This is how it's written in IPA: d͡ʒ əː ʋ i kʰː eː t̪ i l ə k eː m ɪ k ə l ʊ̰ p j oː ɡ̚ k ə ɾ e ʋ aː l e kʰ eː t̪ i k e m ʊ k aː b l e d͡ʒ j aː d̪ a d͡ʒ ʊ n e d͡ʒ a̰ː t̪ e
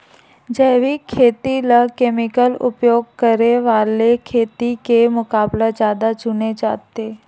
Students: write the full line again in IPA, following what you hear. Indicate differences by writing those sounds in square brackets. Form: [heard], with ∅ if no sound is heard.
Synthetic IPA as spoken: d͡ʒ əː ʋ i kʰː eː t̪ i l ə k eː m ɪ k ə l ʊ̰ p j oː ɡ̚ k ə ɾ e ʋ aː l e kʰ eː t̪ i k e m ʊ k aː b l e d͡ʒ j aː d̪ a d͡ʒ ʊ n e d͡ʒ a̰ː t̪ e